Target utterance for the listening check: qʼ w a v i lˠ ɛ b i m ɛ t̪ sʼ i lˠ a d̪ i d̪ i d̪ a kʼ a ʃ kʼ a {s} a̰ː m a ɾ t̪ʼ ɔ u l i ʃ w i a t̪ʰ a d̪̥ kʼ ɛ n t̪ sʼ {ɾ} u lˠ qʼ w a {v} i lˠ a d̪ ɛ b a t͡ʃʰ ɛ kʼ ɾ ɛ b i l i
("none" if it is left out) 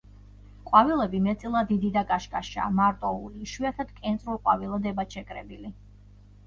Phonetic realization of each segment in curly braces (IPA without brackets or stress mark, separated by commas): ʃ, ɾ, v